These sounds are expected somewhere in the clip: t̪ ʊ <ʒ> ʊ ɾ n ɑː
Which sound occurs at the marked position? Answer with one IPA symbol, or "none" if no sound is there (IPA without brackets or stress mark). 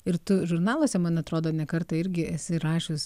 ʒ